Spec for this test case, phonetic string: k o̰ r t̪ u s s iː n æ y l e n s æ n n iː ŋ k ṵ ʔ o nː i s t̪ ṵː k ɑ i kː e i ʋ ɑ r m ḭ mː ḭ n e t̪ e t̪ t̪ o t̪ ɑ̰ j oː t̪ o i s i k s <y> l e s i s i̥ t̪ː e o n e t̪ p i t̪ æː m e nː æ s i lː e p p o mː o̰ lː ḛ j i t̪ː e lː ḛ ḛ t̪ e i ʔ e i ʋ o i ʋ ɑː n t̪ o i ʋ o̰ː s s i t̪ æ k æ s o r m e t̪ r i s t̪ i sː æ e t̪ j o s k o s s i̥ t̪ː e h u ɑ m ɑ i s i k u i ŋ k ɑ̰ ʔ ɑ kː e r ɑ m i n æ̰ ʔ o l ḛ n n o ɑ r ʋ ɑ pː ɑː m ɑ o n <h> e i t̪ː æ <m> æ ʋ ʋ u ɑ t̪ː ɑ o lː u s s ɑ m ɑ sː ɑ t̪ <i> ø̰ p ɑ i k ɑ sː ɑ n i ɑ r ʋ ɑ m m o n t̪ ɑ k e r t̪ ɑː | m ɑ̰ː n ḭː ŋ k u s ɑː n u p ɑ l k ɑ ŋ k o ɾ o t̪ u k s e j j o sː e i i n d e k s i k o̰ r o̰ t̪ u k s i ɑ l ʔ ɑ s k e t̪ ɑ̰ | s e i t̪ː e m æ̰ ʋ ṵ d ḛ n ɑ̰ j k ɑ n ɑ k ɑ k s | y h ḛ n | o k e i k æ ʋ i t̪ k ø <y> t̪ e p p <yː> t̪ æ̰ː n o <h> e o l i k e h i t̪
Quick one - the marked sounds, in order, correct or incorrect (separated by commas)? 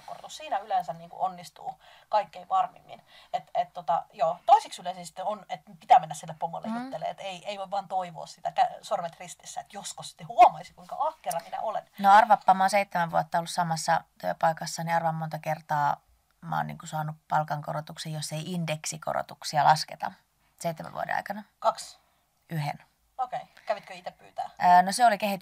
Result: correct, incorrect, correct, incorrect, incorrect, correct, incorrect